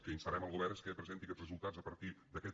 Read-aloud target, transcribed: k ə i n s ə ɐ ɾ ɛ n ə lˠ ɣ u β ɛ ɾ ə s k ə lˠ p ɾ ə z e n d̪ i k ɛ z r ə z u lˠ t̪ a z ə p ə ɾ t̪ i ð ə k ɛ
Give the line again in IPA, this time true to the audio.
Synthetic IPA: k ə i n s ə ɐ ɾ ɛ m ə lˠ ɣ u β ɛ ɾ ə s k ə p ɾ ə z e n t̪ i k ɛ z r ə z u lˠ t̪ a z ə p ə ɾ t̪ i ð ə k ɛ